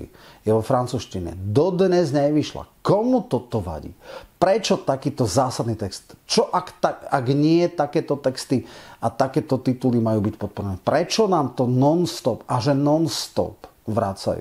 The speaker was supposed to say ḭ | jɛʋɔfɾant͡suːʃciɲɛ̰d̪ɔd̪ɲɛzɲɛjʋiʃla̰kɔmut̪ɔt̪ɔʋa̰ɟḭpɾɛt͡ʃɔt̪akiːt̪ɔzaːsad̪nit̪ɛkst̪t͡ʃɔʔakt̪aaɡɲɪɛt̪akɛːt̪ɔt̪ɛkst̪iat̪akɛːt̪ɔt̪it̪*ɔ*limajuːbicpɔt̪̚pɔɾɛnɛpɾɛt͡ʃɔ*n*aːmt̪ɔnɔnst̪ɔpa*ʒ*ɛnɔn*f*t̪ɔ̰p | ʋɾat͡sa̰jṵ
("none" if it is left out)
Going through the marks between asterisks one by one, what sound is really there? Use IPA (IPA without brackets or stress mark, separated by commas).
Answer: u, n, ʒ, s